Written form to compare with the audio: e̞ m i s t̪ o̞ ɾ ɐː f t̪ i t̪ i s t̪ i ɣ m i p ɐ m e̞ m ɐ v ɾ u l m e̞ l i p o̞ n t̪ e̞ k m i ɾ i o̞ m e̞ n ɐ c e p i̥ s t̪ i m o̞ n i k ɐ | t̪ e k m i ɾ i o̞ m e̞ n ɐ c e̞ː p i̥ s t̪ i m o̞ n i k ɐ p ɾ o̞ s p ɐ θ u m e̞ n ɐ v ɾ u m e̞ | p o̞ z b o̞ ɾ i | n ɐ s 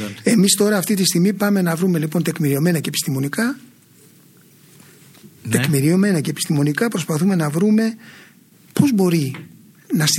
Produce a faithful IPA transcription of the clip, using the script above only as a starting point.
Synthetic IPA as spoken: e̞ m i s t̪ o̞ ɾ ɐː f t̪ i t̪ i s t̪ i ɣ m i p ɐ m e̞ n ɐ v ɾ u m e̞ l i p o̞ n t̪ e̞ k m i ɾ i o̞ m e̞ n ɐ c e p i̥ s t̪ i m o̞ n i k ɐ | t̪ e k m i ɾ i o̞ m e̞ n ɐ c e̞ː p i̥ s t̪ i m o̞ n i k ɐ p ɾ o̞ s p ɐ θ u m e̞ n ɐ v ɾ u m e̞ | p o̞ z b o̞ ɾ i | n ɐ s